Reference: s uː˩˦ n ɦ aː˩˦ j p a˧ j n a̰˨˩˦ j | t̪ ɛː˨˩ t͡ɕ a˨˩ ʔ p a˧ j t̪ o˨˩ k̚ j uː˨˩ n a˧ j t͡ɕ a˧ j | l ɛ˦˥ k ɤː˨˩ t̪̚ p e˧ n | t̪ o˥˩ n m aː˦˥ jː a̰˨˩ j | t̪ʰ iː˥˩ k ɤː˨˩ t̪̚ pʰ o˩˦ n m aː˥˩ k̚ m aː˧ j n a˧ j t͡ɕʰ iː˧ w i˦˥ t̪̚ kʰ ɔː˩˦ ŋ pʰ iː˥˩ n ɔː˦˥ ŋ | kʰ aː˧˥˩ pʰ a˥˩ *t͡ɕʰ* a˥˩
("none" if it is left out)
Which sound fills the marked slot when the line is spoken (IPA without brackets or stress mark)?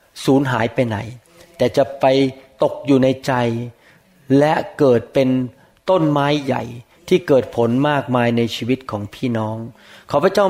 t͡ɕ